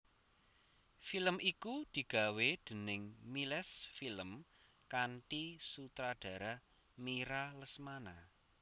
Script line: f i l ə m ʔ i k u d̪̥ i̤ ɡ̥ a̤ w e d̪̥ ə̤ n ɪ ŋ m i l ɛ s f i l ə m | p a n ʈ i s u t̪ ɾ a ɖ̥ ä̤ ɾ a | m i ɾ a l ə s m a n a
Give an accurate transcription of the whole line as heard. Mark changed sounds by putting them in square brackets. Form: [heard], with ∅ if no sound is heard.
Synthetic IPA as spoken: f i l ə m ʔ i k u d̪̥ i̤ ɡ̥ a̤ w e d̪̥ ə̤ n ɪ ŋ m i l ɛ s f i l ə m | [k] a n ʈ i s u t̪ ɾ a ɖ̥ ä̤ ɾ a | m i ɾ a l ə s m a n a